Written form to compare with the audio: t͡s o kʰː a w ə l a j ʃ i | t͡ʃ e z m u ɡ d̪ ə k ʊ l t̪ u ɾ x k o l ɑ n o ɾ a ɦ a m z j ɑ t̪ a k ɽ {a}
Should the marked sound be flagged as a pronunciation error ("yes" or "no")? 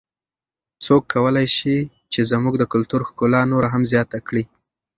yes